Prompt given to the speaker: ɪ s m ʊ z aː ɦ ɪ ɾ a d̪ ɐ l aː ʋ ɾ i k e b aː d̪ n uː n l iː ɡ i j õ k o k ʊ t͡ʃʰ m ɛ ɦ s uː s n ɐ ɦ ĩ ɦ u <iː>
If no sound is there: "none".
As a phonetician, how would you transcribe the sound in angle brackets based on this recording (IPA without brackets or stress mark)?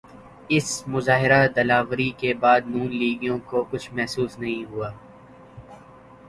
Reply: aː